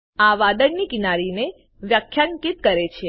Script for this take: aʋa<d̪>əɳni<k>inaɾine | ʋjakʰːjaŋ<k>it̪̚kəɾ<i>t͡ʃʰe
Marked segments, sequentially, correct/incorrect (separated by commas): correct, correct, correct, incorrect